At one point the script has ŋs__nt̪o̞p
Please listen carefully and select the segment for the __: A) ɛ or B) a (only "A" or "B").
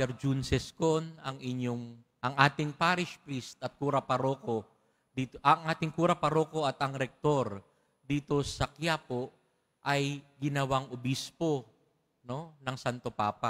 B